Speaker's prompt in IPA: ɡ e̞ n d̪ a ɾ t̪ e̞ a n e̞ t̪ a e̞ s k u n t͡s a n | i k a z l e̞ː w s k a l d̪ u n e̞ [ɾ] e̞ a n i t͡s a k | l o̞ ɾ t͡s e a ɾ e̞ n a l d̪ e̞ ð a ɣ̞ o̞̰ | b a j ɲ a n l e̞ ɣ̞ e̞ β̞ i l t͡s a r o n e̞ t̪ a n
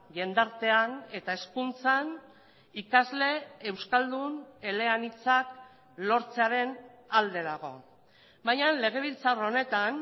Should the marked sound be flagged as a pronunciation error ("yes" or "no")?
yes